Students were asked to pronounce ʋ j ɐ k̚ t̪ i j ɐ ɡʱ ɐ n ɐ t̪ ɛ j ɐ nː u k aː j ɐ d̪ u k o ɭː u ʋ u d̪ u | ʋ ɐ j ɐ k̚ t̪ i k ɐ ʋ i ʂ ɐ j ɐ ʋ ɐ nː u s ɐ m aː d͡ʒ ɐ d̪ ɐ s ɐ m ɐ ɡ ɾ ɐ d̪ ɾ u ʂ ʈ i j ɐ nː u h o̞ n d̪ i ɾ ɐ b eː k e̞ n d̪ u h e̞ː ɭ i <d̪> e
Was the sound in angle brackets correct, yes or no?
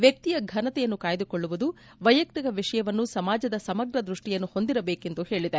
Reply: yes